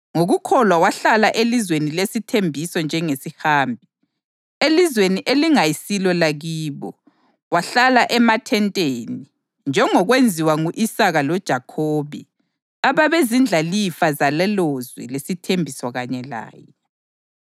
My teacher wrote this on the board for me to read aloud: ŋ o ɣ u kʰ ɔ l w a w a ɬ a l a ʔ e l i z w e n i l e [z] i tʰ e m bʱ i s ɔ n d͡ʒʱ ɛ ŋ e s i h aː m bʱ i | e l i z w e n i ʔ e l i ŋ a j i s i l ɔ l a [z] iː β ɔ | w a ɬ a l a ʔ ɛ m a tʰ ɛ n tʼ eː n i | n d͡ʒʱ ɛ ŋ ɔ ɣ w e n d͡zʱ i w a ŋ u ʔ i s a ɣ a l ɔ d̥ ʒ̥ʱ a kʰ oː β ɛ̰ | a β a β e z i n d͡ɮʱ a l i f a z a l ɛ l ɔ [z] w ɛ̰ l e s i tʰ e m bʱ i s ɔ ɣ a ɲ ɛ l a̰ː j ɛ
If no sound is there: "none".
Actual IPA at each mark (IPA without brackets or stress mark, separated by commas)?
s, ɣ, z